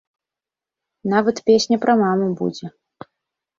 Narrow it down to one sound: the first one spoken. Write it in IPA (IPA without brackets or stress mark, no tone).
n